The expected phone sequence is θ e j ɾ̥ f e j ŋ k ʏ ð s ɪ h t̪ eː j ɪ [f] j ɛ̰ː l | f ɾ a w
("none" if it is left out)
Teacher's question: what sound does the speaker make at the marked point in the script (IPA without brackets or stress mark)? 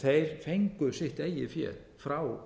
f